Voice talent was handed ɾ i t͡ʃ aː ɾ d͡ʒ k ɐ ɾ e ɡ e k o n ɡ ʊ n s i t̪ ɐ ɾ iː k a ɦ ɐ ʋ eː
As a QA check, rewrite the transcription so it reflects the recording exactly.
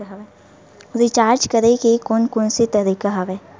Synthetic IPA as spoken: ɾ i t͡ʃ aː ɾ d͡ʒ k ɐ ɾ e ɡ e k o n k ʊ n s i t̪ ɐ ɾ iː k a ɦ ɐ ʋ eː